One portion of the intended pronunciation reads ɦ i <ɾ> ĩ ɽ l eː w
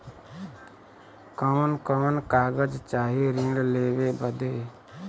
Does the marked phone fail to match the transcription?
no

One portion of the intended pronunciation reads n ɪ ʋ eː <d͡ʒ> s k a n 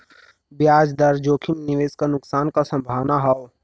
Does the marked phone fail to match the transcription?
yes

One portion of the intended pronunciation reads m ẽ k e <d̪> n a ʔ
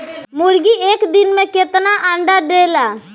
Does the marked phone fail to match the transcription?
yes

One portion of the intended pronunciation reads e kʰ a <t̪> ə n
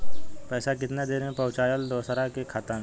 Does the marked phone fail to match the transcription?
no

